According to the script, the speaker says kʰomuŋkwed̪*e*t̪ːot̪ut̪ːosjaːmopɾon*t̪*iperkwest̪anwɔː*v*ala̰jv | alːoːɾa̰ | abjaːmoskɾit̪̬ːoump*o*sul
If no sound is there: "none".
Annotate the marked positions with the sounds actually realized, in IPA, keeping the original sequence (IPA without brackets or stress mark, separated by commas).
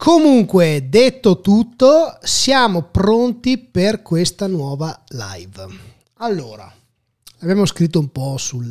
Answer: e, t̪, v, ɔ